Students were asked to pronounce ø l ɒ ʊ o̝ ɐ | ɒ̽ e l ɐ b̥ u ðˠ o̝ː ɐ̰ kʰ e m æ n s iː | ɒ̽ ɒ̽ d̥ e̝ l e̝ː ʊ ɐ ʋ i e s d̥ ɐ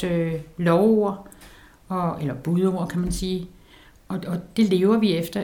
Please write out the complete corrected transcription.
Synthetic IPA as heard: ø l ɒ ʊ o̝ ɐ | ɒ̽ e l ɐ b̥ u ðˠ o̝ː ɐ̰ kʰ æ m æ n s iː | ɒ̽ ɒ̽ d̥ e̝ l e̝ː ʊ ɐ ʋ i e f d̥ ɐ